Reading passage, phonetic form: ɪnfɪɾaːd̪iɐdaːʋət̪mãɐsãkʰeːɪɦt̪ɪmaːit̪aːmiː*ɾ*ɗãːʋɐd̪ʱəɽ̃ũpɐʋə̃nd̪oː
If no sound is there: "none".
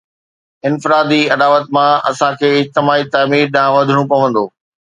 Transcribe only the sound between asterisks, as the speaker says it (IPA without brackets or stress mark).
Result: ɾ